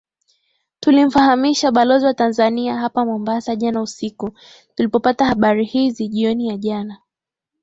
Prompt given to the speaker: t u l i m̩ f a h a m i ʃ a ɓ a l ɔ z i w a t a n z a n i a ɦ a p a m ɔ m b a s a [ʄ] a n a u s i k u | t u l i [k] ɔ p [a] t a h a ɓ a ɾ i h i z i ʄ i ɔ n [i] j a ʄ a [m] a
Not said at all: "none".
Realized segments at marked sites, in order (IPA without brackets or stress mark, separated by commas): ʄ, p, a, i, n